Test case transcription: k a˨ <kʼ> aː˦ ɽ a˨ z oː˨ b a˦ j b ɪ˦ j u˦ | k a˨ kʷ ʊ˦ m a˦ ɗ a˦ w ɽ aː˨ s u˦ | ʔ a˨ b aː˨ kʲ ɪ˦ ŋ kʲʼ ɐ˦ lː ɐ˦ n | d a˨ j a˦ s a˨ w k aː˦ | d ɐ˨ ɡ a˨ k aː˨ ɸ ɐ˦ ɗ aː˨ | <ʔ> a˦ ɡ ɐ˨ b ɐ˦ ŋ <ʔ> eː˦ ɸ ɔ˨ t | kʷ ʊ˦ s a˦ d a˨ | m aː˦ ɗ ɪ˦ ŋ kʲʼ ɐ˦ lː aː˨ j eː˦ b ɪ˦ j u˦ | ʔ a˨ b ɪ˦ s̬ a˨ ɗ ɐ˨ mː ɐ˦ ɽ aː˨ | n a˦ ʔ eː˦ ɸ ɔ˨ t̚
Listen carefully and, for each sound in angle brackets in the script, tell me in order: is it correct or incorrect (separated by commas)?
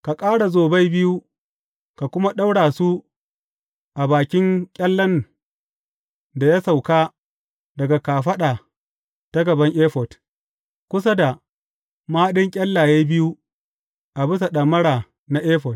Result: correct, incorrect, correct